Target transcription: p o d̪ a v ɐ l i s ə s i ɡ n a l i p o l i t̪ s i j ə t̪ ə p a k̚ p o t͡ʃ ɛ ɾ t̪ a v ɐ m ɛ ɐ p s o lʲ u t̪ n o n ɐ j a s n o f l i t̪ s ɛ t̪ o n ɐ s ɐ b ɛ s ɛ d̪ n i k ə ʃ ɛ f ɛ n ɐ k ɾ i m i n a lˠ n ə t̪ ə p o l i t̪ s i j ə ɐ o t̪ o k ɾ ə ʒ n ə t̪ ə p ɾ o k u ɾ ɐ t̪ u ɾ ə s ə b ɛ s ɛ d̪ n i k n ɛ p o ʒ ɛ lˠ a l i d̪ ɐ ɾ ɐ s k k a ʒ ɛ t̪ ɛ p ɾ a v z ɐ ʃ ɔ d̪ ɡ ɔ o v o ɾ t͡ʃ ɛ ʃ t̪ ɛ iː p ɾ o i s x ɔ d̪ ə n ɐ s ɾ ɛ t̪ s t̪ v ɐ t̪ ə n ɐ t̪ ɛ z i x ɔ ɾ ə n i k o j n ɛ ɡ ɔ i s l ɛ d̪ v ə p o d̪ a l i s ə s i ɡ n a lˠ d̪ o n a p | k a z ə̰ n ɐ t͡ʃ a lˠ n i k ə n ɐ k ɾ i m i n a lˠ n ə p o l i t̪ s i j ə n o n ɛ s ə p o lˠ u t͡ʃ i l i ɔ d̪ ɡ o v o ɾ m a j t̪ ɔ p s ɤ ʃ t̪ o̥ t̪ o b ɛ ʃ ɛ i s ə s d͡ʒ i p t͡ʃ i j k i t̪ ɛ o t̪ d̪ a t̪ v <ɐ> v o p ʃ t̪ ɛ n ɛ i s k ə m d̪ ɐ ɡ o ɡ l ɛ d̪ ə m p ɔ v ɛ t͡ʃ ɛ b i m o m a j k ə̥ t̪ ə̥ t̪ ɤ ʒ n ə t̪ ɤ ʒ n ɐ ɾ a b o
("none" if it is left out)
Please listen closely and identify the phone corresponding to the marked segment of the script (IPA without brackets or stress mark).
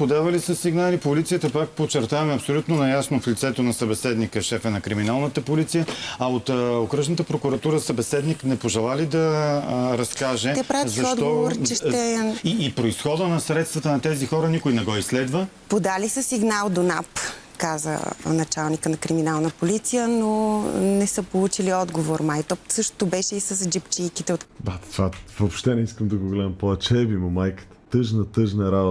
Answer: a